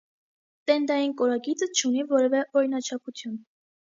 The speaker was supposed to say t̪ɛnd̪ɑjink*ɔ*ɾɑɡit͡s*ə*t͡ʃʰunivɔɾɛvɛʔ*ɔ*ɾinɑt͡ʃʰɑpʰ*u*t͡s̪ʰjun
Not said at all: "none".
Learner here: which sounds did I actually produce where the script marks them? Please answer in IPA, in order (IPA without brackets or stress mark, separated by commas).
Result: ɔ, ə, ɔ, u